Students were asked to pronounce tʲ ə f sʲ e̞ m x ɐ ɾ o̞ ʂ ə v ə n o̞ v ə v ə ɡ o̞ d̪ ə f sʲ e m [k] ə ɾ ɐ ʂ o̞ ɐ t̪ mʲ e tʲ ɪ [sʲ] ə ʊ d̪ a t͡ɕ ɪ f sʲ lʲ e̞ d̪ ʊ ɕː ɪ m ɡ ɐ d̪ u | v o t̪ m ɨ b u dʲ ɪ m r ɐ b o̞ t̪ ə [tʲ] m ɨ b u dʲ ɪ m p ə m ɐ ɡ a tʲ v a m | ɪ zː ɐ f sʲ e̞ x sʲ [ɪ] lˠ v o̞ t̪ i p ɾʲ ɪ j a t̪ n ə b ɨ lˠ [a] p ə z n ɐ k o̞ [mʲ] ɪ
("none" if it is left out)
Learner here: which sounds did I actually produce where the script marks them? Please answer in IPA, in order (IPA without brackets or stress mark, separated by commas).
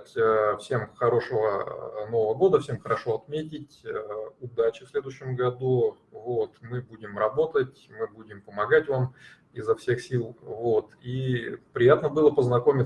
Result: x, tʲ, tʲ, i, ə, mʲ